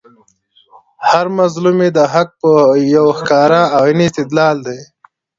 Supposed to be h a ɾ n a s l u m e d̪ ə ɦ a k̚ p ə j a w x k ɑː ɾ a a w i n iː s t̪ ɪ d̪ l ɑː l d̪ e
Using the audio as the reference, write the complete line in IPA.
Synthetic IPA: h a ɾ m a z l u m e d̪ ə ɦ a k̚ p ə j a w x k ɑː ɾ a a w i n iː s t̪ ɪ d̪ l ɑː l d̪ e